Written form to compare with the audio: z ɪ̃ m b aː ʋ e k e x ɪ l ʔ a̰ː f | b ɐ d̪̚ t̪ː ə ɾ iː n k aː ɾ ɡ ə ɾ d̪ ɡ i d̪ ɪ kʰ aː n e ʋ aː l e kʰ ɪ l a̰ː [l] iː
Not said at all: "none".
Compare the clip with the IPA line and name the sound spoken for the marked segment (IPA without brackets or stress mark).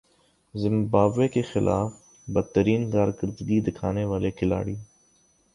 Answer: ɽ